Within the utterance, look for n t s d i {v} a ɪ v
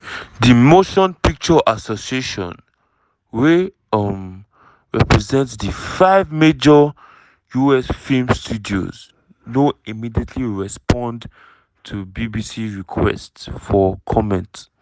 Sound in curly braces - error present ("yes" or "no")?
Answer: yes